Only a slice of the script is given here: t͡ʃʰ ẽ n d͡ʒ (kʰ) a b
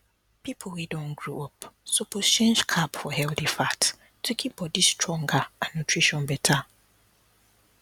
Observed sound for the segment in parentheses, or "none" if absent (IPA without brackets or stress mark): kʰ